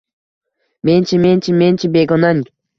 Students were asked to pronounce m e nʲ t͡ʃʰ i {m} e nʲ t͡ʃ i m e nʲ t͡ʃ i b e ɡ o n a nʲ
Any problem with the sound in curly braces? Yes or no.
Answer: no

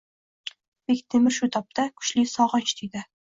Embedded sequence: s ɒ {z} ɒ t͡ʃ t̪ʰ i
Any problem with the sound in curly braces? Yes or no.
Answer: yes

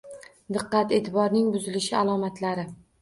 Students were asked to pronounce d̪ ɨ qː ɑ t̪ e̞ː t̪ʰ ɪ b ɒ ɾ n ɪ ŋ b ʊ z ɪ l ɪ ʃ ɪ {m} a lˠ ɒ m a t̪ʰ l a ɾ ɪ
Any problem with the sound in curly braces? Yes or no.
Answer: yes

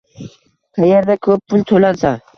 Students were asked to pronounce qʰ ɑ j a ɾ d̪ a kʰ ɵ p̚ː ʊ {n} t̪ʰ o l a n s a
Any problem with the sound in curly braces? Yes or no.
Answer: no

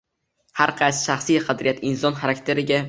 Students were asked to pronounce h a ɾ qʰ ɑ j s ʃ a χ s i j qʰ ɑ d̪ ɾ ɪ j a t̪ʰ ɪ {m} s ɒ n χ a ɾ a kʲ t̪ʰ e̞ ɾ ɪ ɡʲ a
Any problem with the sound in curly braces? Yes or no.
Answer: yes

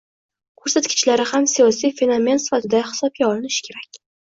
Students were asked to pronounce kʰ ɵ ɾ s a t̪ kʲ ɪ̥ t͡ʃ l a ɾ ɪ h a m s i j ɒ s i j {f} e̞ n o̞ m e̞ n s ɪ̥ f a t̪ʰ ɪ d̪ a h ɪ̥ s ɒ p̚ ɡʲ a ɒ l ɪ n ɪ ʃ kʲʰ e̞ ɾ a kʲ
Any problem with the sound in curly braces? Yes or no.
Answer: no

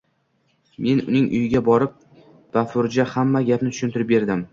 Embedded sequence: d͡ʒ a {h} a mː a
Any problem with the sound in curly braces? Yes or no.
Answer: no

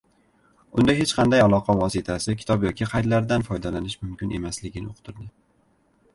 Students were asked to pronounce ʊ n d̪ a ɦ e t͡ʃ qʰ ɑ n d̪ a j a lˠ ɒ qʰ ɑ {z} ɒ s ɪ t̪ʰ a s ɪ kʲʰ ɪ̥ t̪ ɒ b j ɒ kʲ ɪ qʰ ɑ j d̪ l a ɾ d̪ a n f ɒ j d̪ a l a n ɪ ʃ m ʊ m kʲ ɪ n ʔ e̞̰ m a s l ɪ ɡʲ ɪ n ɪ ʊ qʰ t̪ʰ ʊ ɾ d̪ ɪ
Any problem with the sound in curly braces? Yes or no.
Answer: yes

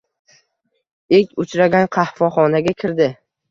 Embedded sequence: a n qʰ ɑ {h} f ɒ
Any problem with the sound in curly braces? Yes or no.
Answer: no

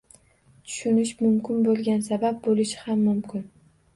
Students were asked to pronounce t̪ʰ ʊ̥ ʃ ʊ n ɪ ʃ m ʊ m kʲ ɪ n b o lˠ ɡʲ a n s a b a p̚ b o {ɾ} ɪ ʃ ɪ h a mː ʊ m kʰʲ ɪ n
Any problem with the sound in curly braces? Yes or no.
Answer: yes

